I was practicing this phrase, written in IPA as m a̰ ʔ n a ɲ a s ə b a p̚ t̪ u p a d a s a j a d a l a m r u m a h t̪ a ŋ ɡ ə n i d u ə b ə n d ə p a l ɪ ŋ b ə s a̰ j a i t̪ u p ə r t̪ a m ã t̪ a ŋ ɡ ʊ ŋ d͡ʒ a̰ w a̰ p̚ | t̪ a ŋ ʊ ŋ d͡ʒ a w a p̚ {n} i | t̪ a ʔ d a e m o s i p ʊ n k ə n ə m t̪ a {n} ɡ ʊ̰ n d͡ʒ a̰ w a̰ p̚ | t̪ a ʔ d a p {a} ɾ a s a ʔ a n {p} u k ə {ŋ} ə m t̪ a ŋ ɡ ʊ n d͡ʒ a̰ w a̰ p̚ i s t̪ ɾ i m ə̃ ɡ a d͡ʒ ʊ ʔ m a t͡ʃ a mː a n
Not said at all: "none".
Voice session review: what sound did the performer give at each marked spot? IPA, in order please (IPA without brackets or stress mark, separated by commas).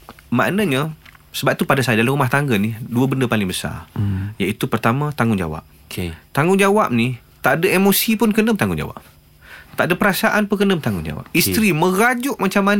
n, ŋ, ə, p, n